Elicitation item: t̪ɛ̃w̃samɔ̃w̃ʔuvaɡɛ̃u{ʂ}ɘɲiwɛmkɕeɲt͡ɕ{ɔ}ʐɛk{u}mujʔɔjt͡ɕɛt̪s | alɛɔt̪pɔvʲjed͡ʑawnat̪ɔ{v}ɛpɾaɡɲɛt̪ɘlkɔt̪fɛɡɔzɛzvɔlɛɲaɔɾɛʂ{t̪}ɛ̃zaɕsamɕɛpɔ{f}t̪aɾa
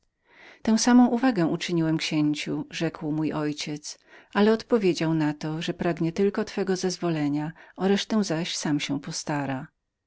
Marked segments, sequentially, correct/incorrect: incorrect: t͡ʂ, incorrect: u, incorrect: w, incorrect: ʐ, correct, incorrect: s

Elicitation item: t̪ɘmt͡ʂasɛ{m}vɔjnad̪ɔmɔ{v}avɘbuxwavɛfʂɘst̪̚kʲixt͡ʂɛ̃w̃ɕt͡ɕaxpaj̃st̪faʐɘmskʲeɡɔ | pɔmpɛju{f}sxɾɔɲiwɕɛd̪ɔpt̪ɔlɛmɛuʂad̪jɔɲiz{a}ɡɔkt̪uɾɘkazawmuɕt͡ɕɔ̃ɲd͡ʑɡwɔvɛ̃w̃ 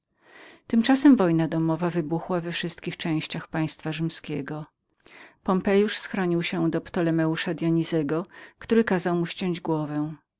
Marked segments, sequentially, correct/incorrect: correct, correct, incorrect: ʂ, incorrect: ɛ

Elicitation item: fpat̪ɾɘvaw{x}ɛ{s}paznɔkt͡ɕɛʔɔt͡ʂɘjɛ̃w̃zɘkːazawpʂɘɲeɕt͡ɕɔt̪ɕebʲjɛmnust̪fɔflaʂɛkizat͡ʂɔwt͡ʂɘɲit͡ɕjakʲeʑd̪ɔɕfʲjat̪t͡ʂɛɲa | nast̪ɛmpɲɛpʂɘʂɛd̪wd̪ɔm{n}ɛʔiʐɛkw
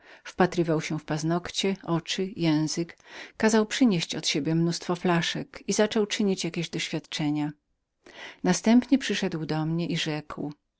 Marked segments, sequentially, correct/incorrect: incorrect: ɕ, incorrect: f, incorrect: ɲ

